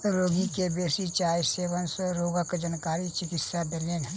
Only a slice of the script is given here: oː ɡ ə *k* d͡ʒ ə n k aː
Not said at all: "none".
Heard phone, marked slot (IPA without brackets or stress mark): k